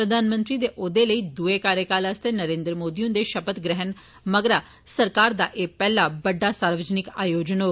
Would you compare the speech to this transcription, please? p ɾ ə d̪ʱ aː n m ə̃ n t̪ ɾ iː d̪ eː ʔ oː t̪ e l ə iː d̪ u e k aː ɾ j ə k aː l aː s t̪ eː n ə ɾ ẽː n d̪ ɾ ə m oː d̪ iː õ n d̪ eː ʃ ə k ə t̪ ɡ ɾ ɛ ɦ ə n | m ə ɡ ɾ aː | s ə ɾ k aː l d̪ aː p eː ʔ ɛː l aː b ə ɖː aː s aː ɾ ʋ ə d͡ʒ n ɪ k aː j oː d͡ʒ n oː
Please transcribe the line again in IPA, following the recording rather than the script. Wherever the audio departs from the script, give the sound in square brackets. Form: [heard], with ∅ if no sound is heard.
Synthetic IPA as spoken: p ɾ ə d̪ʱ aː n m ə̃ n t̪ ɾ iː d̪ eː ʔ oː [d̪] e l ə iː d̪ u e k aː ɾ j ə k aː l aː s t̪ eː n ə ɾ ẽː n d̪ ɾ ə m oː d̪ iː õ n d̪ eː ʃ ə [p] ə t̪ ɡ ɾ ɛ ɦ ə n | m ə ɡ ɾ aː | s ə ɾ k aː [ɾ] d̪ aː [ʔ] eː [p] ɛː l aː b ə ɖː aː s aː ɾ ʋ ə d͡ʒ n ɪ k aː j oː d͡ʒ n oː